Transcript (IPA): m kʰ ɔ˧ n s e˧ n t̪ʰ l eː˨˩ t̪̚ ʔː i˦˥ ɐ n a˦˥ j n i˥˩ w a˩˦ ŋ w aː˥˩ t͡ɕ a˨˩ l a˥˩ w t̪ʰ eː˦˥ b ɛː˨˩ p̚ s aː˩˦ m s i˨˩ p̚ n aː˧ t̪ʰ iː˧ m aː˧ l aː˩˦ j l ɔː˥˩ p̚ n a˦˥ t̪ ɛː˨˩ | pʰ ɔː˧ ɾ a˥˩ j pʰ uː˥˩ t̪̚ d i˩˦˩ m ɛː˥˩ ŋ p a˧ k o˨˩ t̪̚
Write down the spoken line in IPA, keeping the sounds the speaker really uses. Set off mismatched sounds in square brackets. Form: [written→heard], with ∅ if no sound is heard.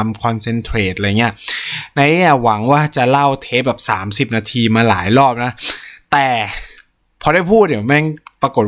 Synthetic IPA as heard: m kʰ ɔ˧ n s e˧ n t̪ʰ [l→ɾ] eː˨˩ t̪̚ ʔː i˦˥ ɐ n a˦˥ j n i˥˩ w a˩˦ ŋ w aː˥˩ t͡ɕ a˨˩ l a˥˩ w t̪ʰ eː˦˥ b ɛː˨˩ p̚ s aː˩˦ m s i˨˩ p̚ n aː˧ t̪ʰ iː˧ m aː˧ l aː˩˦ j l ɔː˥˩ p̚ n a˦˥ t̪ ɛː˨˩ | pʰ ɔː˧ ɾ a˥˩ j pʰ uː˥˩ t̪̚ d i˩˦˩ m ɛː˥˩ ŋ p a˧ k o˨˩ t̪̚